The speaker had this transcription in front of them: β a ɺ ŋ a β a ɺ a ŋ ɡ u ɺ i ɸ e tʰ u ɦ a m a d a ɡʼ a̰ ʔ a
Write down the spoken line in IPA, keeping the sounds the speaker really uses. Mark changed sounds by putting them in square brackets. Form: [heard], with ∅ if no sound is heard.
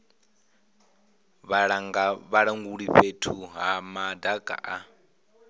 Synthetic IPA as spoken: β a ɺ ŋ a β a ɺ a ŋ ɡ u ɺ i ɸ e tʰ u ɦ a m a d a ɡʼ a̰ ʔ a